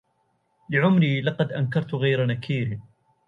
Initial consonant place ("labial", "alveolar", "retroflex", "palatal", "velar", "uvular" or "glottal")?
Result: alveolar